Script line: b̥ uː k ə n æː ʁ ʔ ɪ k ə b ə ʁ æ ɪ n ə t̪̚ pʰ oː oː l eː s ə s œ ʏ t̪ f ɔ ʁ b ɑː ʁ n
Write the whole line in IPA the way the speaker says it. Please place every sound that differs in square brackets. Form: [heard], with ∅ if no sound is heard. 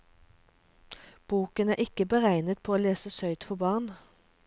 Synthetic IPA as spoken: b̥ uː k ə n æː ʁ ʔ ɪ k ə b ə ʁ æ ɪ n ə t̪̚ pʰ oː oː l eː s ə s œ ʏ t̪ f ɔ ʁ b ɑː ʁ n